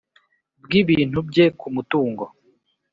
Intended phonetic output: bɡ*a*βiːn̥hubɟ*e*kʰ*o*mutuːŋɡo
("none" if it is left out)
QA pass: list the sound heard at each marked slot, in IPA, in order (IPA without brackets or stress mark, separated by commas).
i, e, u